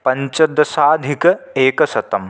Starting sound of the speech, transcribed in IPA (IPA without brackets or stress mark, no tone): p